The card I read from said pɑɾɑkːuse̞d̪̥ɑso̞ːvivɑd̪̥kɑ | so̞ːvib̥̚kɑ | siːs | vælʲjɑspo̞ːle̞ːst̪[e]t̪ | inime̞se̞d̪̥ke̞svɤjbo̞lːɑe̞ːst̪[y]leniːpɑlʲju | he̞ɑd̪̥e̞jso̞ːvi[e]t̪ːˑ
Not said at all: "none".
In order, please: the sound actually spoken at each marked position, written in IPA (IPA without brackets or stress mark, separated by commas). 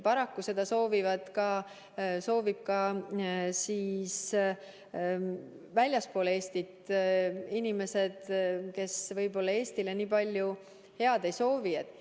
i, i, e